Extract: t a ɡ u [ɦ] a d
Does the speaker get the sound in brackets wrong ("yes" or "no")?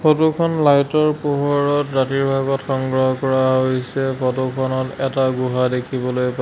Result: no